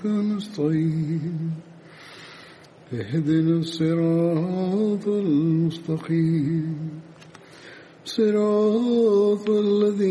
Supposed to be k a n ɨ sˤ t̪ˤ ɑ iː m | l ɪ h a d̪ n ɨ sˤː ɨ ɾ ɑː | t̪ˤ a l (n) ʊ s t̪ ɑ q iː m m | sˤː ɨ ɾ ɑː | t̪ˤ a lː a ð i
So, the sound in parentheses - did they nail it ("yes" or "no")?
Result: no